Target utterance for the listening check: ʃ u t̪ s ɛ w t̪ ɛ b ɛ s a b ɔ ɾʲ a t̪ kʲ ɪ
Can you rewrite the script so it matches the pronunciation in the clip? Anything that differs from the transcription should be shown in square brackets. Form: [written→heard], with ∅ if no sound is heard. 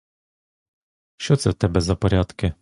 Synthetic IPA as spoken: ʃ [u→ɔ] t̪ s ɛ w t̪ ɛ b ɛ [s→z] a [b→p] ɔ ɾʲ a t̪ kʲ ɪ